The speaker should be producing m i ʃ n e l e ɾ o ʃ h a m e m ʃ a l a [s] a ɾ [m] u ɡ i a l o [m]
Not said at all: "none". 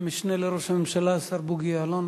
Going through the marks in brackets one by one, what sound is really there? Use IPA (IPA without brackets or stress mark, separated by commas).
s, b, n